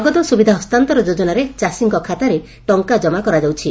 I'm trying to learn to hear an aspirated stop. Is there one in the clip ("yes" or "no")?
yes